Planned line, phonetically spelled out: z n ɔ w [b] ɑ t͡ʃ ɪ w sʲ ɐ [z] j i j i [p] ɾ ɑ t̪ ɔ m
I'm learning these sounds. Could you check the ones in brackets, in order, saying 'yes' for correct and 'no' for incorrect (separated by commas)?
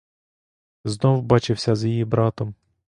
yes, yes, no